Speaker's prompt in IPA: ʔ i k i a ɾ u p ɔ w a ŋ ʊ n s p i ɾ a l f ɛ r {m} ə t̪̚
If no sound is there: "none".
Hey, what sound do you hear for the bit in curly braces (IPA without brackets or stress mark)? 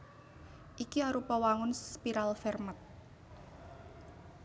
m